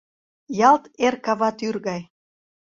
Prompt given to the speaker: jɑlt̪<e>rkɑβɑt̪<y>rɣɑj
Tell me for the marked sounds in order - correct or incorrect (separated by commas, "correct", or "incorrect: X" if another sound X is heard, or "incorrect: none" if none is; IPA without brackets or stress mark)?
correct, correct